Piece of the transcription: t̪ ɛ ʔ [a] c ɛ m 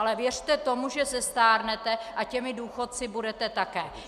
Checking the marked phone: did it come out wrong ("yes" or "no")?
no